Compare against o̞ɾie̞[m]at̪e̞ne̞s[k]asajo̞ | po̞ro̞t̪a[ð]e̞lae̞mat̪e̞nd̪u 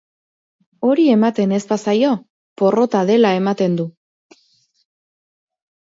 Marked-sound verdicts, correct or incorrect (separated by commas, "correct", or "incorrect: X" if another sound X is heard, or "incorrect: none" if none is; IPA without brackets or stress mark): correct, incorrect: p, correct